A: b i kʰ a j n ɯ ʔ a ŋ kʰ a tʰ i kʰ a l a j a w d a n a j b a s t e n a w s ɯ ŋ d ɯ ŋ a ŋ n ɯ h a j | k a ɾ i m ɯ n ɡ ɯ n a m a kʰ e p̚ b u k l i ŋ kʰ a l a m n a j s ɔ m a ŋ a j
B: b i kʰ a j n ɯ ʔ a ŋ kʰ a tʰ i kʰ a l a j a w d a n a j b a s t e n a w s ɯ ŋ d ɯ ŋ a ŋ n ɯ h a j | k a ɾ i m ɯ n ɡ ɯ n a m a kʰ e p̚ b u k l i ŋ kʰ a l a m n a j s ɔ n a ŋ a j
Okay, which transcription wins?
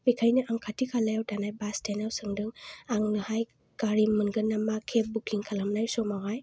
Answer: A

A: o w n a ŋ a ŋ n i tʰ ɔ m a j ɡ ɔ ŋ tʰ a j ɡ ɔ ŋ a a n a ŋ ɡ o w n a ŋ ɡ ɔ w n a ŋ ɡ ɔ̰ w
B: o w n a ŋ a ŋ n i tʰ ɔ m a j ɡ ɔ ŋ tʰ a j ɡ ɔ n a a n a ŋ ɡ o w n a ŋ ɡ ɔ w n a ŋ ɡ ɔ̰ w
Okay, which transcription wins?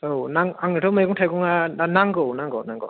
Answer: A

